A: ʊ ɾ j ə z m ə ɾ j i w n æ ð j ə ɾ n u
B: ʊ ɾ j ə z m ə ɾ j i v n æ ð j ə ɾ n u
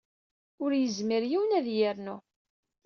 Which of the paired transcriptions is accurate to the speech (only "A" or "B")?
A